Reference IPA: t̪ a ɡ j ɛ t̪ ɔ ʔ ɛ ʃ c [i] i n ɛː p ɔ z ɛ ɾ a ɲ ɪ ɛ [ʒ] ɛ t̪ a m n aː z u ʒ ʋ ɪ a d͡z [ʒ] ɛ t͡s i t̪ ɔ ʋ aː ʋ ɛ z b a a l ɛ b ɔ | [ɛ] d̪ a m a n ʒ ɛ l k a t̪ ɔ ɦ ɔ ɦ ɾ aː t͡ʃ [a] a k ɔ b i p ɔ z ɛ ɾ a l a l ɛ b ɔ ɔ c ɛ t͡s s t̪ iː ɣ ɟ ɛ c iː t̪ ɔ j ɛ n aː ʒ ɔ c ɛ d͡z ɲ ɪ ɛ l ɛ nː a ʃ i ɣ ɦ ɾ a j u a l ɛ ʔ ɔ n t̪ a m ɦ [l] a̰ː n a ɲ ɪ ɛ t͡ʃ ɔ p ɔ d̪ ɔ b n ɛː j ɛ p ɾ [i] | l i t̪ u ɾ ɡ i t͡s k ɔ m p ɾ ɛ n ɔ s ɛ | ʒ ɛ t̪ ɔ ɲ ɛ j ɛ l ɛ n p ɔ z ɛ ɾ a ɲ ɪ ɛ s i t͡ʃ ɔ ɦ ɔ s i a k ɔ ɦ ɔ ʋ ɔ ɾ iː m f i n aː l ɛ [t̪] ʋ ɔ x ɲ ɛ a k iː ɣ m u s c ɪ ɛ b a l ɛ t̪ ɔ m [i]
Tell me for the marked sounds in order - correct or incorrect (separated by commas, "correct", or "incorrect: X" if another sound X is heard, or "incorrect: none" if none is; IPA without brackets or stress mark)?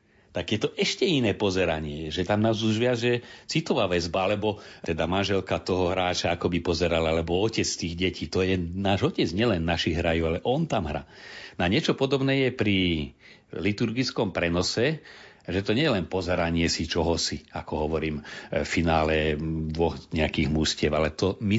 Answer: incorrect: ɛ, correct, correct, correct, correct, incorrect: ɾ, correct, incorrect: d̪, correct